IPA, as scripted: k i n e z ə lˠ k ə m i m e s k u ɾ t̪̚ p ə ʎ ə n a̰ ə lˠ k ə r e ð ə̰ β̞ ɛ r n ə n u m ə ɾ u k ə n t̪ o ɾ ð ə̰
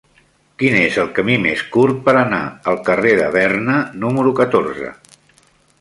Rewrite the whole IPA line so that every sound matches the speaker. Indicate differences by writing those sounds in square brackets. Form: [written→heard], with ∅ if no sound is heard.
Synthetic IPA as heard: k i n e z ə lˠ k ə m i m e s k u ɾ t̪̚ p ə [ʎ→ɾ] ə n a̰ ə lˠ k ə r e ð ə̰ β̞ ɛ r n ə n u m ə ɾ u k ə [n→∅] t̪ o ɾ [ð→z] ə̰